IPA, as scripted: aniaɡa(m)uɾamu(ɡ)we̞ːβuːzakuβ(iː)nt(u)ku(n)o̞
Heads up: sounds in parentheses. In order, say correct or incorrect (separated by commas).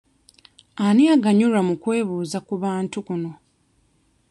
incorrect, incorrect, incorrect, correct, correct